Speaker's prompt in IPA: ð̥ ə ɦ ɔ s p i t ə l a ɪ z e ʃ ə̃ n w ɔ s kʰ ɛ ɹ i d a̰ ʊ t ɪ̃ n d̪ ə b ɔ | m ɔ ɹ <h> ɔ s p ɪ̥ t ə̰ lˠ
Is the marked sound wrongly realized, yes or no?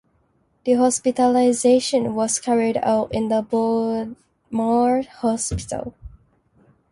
no